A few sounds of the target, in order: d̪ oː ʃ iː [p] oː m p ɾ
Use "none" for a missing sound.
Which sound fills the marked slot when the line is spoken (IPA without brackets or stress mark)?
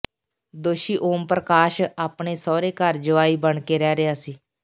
ʔ